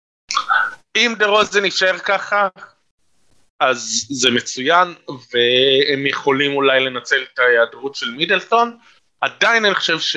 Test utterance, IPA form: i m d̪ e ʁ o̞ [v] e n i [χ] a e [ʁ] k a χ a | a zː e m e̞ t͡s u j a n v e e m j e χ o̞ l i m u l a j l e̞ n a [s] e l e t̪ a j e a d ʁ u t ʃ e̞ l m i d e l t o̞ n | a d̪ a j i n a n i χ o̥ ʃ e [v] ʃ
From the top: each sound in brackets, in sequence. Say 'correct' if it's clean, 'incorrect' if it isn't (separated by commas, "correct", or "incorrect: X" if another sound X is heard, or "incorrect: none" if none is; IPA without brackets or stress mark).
incorrect: z, incorrect: ʃ, correct, incorrect: t͡s, correct